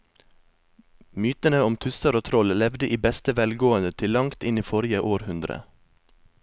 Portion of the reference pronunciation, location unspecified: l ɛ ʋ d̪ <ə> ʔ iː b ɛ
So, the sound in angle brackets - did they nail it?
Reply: yes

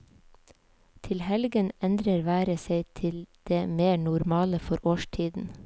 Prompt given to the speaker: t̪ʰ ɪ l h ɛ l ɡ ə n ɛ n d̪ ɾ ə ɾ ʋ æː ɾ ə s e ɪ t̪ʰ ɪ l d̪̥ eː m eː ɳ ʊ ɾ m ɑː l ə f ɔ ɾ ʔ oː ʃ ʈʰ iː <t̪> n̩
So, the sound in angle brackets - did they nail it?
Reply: no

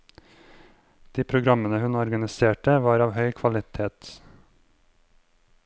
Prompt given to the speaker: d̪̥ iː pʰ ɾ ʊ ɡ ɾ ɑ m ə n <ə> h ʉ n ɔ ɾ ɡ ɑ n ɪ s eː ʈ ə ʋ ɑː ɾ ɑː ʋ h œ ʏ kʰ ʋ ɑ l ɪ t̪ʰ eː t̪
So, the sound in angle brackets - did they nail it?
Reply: yes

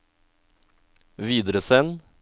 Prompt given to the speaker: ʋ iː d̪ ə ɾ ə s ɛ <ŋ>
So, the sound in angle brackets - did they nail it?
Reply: no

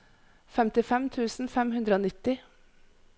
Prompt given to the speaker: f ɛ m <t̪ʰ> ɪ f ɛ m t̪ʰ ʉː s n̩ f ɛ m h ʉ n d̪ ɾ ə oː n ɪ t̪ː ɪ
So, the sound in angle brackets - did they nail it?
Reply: no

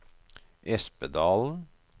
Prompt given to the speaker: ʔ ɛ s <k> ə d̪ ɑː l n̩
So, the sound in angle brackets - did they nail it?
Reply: no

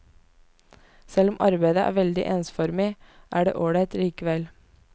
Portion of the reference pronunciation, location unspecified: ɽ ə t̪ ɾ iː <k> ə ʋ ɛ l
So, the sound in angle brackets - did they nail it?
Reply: yes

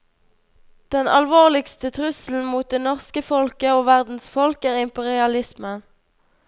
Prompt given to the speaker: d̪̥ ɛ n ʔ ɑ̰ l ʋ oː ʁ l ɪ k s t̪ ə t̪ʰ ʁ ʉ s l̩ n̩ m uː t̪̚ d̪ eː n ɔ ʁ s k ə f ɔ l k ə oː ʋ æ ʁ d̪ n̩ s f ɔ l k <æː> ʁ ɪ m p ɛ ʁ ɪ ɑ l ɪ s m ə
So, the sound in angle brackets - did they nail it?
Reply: yes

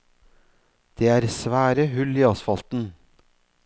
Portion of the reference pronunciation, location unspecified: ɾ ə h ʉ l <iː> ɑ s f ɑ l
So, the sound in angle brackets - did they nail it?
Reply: yes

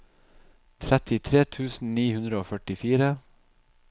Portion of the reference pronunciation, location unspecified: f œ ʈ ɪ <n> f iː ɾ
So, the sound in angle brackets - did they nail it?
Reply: no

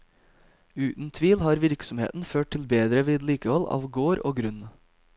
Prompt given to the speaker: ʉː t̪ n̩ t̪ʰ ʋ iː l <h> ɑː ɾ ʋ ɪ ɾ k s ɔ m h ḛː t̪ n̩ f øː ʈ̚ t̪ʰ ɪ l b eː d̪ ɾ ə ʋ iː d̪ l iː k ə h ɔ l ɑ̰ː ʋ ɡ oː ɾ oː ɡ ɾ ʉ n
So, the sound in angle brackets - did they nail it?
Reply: yes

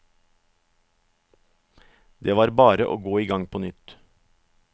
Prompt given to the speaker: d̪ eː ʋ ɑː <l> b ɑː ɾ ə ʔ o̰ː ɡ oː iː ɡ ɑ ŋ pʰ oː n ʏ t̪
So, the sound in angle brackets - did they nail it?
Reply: no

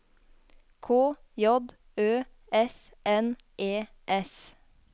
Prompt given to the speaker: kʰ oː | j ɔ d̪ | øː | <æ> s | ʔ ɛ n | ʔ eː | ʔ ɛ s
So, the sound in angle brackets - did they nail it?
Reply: no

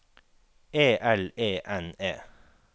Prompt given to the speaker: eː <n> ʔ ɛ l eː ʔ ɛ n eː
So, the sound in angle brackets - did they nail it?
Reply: no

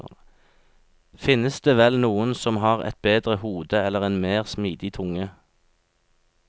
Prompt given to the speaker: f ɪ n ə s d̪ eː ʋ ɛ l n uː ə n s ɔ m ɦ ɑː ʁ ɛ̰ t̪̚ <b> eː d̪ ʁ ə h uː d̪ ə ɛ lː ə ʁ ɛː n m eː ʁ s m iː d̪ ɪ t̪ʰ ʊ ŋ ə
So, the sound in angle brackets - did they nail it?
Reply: yes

